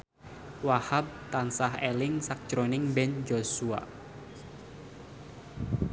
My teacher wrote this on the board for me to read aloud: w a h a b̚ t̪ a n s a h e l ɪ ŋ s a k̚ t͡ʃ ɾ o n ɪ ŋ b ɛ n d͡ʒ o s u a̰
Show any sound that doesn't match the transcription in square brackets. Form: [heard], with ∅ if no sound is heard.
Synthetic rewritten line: w a h a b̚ t̪ a n s a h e l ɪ ŋ s a k̚ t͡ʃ ɾ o n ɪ ŋ b ɛ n d͡ʒ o s u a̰